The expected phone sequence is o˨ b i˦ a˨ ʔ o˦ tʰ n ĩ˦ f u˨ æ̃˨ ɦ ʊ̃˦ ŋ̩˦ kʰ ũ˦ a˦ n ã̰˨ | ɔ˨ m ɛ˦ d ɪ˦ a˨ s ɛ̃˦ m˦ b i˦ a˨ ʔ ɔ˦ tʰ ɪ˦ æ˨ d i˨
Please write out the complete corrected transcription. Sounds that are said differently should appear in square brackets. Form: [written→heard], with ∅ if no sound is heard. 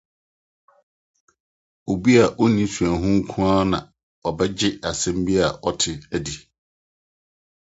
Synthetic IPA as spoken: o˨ b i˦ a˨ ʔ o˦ [tʰ→∅] n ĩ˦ [f→s] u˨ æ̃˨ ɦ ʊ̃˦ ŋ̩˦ kʰ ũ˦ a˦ n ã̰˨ | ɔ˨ [m→b] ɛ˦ [d→d͡ʑ] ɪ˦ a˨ s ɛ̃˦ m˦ b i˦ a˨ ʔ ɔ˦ tʰ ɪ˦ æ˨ d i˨